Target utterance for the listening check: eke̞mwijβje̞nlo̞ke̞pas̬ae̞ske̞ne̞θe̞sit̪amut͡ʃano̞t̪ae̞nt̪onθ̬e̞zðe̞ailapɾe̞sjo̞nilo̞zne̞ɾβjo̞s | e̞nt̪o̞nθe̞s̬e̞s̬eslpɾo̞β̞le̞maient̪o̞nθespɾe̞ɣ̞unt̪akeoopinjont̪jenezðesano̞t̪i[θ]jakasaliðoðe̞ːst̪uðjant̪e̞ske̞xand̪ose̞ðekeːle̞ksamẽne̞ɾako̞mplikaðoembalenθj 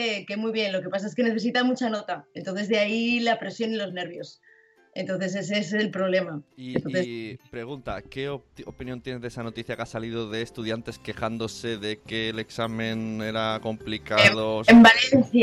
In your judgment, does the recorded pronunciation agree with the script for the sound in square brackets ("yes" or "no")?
yes